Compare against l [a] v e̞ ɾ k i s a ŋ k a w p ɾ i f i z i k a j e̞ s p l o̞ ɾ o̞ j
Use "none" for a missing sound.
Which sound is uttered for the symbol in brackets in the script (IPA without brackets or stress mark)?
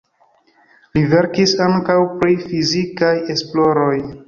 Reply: i